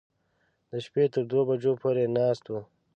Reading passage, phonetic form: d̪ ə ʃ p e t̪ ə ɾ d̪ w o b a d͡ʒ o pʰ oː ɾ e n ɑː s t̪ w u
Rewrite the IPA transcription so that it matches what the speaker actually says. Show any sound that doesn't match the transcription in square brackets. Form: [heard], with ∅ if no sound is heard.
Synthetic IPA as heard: d̪ ə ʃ p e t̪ ə ɾ d̪ w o b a d͡ʒ o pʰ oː ɾ e n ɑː s t̪ w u